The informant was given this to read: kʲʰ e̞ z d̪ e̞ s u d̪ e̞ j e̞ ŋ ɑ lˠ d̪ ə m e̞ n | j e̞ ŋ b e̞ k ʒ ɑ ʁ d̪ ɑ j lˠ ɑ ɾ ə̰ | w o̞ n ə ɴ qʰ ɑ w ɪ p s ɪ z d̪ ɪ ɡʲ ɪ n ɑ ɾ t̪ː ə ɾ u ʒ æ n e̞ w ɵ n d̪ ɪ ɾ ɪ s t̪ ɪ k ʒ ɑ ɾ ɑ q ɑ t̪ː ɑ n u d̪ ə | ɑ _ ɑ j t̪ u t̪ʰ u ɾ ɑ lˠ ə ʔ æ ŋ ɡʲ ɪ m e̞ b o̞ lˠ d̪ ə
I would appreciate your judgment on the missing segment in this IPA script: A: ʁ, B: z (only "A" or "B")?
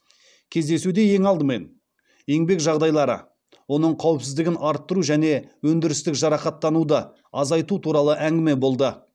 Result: B